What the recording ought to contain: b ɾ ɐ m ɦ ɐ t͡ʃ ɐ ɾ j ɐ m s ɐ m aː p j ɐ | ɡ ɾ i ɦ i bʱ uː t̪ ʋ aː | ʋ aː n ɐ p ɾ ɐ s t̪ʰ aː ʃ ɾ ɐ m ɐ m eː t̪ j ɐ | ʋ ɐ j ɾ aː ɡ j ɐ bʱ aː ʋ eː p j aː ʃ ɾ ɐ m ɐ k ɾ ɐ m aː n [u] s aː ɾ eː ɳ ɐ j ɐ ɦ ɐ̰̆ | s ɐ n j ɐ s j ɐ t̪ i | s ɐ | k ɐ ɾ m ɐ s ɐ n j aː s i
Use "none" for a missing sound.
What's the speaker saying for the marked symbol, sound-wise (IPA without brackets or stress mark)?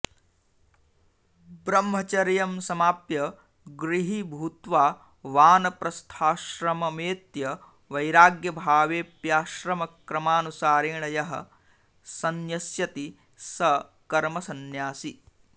u